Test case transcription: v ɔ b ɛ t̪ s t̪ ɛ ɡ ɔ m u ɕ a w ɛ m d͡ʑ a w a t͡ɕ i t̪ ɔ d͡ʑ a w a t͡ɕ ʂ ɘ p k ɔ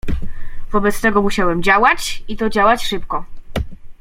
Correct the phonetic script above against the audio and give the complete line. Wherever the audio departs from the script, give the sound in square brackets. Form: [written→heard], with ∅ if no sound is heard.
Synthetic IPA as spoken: v ɔ b ɛ t̪ s t̪ ɛ ɡ ɔ m u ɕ a w ɛ m d͡ʑ a w a t͡ɕ i t̪ ɔ d͡ʑ a w a t͡ɕ ʂ ɘ p k ɔ